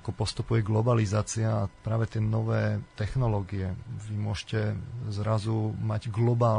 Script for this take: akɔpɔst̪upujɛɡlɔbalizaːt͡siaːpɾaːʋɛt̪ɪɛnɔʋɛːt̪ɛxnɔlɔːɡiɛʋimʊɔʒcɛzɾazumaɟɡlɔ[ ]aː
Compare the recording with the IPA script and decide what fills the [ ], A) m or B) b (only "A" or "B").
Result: B